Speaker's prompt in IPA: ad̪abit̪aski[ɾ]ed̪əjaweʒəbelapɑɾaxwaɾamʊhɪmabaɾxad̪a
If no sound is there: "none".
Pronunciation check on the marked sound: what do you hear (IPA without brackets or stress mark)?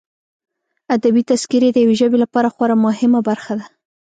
ɾ